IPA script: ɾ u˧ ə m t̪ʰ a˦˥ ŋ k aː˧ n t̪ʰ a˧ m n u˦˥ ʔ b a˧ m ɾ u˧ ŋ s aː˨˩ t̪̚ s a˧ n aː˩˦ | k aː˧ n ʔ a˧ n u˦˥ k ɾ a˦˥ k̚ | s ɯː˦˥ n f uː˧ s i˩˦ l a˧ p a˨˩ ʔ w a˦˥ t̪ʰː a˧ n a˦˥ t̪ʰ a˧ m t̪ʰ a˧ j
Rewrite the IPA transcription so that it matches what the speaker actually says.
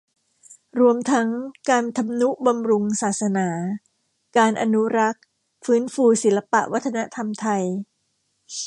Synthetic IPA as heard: ɾ u˧ ə m t̪ʰ a˦˥ ŋ k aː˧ n t̪ʰ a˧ m n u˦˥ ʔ b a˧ m ɾ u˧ ŋ s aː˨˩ t̪̚ s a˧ n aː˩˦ | k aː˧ n ʔ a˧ n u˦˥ ɾ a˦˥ k̚ | f ɯː˦˥ n f uː˧ s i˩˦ l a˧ p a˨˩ ʔ w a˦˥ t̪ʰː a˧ n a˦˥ t̪ʰ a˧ m t̪ʰ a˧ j